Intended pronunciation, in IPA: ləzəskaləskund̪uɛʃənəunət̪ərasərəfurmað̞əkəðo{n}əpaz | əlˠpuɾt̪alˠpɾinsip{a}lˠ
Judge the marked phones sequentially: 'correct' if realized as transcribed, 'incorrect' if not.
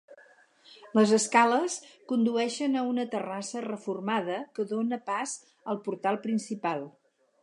correct, correct

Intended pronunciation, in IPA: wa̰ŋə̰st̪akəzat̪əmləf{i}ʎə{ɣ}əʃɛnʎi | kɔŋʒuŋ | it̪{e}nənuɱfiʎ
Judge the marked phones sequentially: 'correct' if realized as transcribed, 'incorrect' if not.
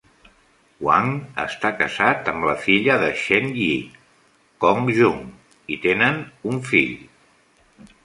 correct, incorrect, correct

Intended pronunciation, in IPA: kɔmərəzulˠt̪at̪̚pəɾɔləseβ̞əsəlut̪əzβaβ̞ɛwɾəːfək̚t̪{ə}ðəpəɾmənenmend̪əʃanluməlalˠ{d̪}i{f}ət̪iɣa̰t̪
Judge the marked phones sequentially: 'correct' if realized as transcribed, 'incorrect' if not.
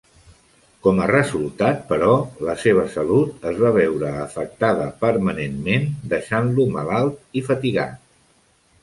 incorrect, incorrect, correct

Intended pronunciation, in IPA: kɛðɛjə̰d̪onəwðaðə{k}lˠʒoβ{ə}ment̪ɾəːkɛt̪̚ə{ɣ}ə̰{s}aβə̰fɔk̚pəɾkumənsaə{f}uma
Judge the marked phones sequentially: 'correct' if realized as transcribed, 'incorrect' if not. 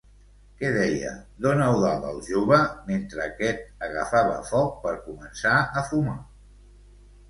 incorrect, correct, correct, incorrect, correct

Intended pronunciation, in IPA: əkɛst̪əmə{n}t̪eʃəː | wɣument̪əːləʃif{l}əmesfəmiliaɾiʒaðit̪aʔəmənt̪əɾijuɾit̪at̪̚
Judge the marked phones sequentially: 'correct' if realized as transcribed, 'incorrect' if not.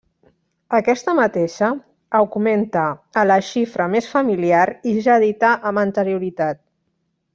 incorrect, incorrect

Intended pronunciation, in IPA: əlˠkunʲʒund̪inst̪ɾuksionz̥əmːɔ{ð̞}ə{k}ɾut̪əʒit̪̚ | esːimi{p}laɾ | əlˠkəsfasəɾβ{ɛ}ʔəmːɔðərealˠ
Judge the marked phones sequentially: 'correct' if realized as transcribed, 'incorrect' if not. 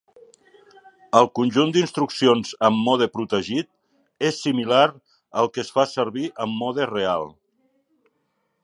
correct, incorrect, incorrect, incorrect

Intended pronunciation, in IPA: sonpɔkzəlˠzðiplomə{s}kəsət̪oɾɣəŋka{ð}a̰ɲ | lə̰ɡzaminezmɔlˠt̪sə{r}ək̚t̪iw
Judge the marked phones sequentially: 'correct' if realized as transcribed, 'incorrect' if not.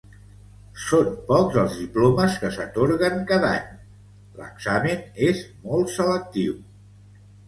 correct, correct, incorrect

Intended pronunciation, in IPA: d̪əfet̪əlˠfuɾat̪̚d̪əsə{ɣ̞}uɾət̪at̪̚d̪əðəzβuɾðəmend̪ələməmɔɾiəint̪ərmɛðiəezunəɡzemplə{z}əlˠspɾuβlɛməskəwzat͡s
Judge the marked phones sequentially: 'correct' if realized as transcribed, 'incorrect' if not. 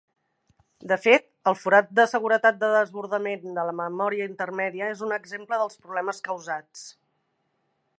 correct, incorrect

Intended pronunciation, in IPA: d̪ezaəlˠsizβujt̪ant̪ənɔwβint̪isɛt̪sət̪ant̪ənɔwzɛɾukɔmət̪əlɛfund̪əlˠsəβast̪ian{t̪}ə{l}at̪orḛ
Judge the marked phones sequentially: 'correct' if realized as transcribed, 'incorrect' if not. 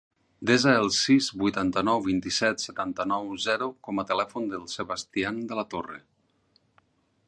incorrect, correct

